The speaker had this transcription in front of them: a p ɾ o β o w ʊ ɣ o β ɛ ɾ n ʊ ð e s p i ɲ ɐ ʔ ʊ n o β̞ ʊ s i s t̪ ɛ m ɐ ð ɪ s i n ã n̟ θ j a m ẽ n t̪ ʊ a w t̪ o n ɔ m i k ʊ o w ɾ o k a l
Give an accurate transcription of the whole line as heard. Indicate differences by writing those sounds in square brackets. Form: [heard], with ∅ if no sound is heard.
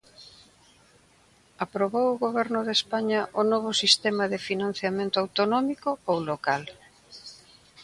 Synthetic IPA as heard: a p ɾ o β o w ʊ ɣ o β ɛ ɾ n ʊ ð e s p [a] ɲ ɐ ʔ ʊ n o β̞ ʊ s i s t̪ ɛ m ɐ ð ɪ [f] i n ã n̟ θ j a m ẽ n t̪ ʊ a w t̪ o n ɔ m i k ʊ o w [l] o k a l